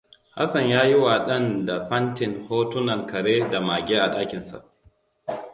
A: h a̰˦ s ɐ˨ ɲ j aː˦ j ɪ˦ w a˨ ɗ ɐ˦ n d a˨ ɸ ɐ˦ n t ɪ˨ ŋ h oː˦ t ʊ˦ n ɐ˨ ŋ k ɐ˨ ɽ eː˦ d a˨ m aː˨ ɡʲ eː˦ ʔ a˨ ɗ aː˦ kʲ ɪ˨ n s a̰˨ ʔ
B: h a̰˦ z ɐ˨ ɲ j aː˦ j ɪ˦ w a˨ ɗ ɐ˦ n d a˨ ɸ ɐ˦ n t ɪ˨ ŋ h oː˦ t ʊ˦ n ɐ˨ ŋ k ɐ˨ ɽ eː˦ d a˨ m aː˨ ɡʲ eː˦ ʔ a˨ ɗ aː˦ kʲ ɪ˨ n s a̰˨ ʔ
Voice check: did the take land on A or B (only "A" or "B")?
A